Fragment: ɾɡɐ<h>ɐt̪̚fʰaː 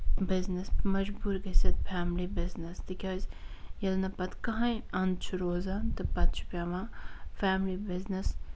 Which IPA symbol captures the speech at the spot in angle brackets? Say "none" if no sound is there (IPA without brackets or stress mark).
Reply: s